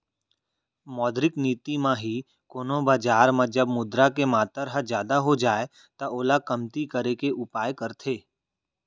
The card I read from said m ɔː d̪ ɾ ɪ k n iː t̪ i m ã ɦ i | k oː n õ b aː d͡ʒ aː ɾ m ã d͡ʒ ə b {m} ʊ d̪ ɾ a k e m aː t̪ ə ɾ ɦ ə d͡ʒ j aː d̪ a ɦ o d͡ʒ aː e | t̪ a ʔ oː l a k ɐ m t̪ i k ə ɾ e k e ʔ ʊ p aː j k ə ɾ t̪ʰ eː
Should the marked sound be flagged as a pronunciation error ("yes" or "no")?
no